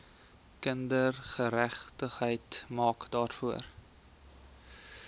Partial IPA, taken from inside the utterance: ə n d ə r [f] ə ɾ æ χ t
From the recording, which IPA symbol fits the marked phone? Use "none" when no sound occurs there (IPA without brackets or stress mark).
χ